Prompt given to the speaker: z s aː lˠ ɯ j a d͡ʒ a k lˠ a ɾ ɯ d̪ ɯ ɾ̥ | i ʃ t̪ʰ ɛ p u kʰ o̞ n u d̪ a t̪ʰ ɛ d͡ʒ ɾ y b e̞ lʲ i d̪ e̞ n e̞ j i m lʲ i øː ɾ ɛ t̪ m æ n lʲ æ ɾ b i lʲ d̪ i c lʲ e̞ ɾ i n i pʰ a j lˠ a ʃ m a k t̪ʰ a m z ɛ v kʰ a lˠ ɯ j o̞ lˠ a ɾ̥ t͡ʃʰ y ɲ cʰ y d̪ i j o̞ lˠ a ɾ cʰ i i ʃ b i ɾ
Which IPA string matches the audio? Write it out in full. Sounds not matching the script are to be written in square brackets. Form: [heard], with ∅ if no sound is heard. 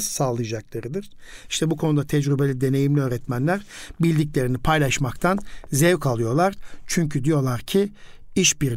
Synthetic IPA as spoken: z s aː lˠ ɯ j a d͡ʒ a k lˠ a ɾ ɯ d̪ ɯ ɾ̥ | i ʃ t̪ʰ ɛ [b] u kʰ o̞ n u d̪ a t̪ʰ ɛ d͡ʒ ɾ y b e̞ lʲ i d̪ e̞ n e̞ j i m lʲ i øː ɾ ɛ t̪ m æ n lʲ æ ɾ b i lʲ d̪ i c lʲ e̞ ɾ i n i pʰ a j lˠ a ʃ m a k t̪ʰ a [n] z ɛ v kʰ a lˠ ɯ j o̞ lˠ a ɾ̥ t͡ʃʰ y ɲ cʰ y d̪ i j o̞ lˠ a ɾ cʰ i i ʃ b i ɾ